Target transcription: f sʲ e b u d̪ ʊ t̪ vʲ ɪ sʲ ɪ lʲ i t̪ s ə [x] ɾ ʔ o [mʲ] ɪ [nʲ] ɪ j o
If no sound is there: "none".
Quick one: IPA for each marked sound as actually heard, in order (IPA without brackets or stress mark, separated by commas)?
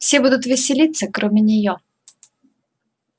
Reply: k, mʲ, nʲ